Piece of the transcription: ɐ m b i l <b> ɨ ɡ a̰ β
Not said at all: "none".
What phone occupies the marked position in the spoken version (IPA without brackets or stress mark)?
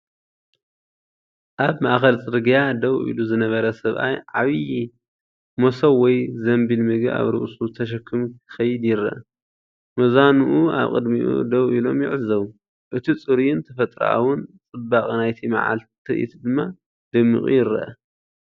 m